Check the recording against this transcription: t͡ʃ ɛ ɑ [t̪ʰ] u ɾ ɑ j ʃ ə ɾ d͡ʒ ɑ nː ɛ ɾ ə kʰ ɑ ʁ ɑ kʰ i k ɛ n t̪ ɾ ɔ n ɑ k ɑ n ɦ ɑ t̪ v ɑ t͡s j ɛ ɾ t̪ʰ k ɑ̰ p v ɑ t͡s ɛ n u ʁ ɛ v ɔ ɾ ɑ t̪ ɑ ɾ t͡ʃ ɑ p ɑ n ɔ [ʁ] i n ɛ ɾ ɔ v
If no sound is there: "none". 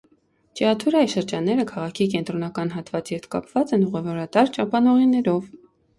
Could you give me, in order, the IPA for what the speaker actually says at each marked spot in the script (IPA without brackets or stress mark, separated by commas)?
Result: t̪ʰ, ʁ